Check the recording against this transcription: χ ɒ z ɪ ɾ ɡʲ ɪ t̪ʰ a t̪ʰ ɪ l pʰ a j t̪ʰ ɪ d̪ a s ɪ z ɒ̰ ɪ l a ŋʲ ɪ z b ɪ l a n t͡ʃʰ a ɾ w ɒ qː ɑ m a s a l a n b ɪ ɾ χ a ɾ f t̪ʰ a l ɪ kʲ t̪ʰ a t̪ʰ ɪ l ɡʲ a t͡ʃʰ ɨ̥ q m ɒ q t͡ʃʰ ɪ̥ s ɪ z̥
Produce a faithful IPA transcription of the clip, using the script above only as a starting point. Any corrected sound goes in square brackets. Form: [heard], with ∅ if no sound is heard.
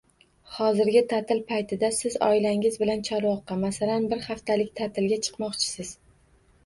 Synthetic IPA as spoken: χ ɒ z ɪ ɾ ɡʲ ɪ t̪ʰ a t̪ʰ ɪ l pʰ a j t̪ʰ ɪ d̪ a s ɪ z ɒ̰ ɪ l a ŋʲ ɪ z b ɪ l a n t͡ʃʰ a ɾ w ɒ qː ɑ m a s a l a n b ɪ ɾ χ a [∅] f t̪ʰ a l ɪ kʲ t̪ʰ a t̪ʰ ɪ l ɡʲ a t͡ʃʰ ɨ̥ q m ɒ q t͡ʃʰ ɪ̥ s ɪ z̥